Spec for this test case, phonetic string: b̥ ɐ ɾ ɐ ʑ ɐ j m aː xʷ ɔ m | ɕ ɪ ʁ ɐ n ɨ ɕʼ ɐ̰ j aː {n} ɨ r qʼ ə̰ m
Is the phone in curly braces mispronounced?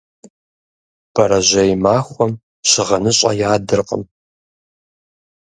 yes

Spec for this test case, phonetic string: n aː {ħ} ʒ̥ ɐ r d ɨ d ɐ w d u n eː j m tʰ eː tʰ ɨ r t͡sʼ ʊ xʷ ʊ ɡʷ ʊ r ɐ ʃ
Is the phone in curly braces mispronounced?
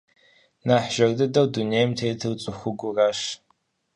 no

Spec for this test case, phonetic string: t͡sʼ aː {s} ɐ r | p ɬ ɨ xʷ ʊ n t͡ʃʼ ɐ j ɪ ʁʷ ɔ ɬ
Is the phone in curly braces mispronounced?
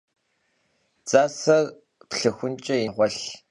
no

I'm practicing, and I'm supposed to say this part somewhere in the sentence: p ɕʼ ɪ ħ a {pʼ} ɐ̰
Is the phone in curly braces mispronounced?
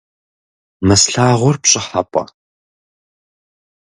no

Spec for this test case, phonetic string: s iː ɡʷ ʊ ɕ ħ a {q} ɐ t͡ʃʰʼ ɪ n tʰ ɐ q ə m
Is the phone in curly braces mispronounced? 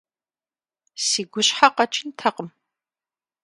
no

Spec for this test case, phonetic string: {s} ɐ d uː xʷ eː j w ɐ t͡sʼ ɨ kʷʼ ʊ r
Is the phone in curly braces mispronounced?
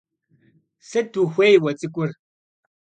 no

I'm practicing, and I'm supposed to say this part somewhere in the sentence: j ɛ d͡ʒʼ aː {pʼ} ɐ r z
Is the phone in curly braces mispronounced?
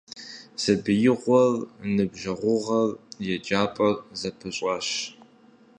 no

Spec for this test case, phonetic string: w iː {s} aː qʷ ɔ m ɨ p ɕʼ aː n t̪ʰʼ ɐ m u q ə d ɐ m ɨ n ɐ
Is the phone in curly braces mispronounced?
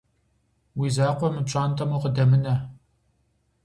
yes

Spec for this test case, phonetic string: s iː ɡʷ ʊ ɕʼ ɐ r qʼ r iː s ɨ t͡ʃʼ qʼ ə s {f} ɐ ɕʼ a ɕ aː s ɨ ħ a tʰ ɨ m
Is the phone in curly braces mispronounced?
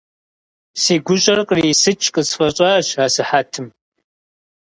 no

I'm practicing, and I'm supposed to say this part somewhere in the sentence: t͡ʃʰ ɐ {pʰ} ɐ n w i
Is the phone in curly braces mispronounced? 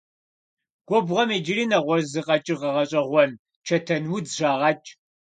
yes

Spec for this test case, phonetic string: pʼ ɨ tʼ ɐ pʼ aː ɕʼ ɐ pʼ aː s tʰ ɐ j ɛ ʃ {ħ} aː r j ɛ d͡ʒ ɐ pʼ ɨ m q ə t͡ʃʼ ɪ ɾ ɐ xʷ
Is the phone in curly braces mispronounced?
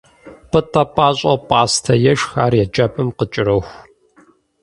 yes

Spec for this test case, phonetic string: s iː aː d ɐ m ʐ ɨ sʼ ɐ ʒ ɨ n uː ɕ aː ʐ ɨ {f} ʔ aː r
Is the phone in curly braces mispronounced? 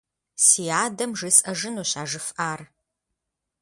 no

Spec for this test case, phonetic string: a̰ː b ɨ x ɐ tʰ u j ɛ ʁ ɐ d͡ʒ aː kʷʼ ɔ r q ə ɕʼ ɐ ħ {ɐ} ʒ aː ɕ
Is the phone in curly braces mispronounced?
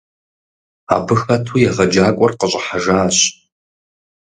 yes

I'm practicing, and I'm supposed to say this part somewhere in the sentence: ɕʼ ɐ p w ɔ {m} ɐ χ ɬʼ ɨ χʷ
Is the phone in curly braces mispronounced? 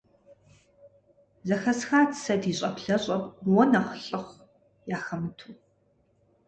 yes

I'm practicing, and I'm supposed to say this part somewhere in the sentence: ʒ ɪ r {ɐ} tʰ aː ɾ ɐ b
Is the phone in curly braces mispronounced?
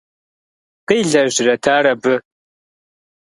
no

